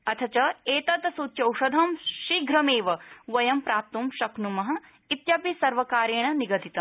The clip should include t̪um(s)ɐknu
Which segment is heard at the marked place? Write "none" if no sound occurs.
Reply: ʃ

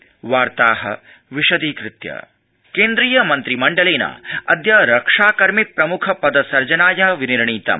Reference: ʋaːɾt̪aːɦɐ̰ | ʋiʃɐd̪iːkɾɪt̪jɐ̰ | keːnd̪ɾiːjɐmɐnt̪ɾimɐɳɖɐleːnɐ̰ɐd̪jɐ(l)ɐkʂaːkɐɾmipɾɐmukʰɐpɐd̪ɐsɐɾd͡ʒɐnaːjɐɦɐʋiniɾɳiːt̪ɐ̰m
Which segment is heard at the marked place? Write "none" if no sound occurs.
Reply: ɾ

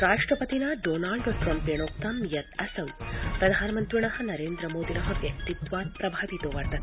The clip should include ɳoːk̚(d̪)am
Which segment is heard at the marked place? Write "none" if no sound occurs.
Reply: t̪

